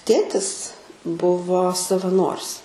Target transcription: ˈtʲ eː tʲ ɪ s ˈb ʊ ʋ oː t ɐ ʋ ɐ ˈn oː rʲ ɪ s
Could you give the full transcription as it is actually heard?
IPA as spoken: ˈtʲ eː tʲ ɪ s ˈb ʊ ʋ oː s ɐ ʋ ɐ ˈn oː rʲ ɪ s